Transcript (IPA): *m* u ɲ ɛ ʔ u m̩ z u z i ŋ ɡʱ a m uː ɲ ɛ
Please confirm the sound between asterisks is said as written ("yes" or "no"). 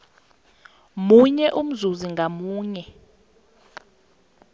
yes